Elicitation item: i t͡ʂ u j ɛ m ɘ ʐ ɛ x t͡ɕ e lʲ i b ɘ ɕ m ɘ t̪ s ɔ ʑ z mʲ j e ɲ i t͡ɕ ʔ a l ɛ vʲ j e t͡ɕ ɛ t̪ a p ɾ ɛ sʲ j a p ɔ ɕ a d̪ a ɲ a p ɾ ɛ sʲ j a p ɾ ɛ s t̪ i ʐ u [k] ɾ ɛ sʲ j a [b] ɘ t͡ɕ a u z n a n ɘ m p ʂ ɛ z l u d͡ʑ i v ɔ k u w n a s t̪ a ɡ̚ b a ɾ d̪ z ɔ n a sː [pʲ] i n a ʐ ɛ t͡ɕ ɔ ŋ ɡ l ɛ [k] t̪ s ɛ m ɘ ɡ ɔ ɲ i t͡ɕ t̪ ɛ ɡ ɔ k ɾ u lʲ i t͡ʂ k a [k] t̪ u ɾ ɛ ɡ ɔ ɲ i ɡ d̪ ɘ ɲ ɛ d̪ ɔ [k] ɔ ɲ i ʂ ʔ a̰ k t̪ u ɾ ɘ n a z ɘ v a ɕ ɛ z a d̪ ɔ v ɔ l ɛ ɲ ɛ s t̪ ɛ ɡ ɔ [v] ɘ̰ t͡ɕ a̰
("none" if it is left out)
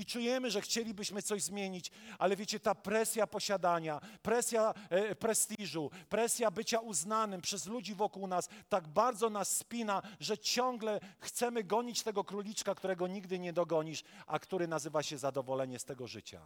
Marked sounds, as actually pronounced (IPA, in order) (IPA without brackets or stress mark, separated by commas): p, b, pʲ, x, k, ɡ, ʐ